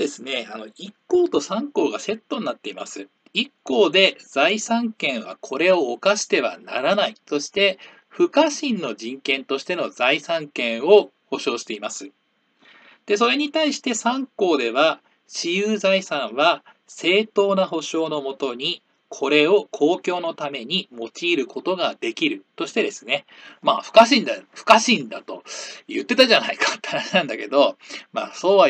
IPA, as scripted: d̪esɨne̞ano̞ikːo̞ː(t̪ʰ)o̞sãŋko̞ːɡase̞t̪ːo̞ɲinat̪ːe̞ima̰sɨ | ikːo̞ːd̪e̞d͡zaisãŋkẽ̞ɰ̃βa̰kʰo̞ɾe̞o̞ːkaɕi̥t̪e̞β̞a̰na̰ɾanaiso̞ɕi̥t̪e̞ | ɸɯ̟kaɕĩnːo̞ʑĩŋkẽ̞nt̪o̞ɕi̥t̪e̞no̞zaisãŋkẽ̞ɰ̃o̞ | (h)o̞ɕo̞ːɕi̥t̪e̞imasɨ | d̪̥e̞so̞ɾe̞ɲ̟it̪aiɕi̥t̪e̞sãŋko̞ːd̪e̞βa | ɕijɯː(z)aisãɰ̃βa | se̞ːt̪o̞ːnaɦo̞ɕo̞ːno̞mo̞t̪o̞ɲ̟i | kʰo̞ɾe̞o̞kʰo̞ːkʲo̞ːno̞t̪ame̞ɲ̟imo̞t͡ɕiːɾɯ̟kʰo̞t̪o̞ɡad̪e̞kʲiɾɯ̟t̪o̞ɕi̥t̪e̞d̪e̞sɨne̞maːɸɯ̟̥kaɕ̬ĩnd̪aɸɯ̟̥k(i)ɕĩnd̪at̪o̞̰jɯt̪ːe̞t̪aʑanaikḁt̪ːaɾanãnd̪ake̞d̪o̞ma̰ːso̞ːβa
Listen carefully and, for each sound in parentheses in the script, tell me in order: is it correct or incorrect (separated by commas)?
incorrect, correct, correct, incorrect